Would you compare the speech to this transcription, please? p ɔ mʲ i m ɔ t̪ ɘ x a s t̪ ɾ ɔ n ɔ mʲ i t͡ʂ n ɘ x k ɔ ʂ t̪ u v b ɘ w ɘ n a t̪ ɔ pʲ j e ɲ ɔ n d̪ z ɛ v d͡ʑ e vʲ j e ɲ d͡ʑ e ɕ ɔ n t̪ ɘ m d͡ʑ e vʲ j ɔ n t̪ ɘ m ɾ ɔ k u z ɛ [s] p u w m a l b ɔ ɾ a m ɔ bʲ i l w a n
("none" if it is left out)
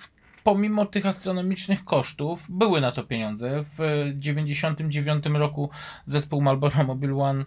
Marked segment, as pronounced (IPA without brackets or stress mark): s